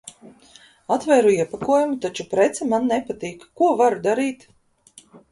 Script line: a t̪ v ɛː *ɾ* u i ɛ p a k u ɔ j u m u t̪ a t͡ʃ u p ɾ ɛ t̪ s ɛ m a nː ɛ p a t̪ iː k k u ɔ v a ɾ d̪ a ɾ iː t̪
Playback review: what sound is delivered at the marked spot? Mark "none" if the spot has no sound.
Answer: ɾ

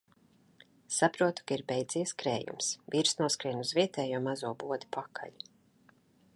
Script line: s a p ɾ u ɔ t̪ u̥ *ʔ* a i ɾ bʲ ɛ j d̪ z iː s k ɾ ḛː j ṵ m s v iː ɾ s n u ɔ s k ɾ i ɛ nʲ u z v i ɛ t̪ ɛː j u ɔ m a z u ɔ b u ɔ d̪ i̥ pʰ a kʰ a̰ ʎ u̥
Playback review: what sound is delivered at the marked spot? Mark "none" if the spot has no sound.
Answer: k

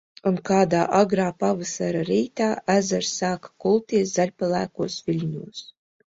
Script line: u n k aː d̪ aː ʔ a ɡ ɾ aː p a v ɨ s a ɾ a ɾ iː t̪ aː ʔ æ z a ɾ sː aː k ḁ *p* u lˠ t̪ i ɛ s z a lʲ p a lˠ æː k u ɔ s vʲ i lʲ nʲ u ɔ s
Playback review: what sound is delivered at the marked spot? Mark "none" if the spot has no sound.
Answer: k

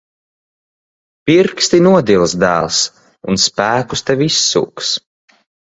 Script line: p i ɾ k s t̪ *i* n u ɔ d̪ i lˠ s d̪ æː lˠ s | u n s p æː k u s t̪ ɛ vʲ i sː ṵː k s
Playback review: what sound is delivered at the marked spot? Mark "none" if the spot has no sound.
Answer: i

